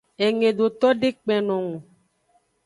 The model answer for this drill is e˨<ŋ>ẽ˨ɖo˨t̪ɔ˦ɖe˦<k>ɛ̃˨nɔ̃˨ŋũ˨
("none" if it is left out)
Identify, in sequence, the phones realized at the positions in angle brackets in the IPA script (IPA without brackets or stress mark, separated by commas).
ŋ, k͡p